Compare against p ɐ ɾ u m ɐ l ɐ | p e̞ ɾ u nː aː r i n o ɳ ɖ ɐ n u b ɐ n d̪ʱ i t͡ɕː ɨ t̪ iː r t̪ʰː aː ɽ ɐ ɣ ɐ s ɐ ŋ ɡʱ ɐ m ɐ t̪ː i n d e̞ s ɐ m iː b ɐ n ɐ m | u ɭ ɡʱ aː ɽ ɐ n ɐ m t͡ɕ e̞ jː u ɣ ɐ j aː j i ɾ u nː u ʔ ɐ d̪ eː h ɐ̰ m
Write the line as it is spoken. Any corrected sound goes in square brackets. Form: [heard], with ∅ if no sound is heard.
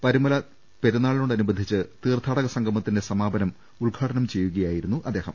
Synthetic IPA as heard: p ɐ ɾ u m ɐ l ɐ | p e̞ ɾ u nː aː [ɭ] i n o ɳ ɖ ɐ n u b ɐ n d̪ʱ i t͡ɕː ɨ t̪ iː r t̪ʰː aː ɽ ɐ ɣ ɐ s ɐ ŋ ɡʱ ɐ m ɐ t̪ː i n d e̞ s ɐ m [aː] b ɐ n ɐ m | u ɭ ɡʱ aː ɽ ɐ n ɐ m t͡ɕ e̞ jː u ɣ ɐ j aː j i ɾ u nː u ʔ ɐ d̪ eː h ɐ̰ m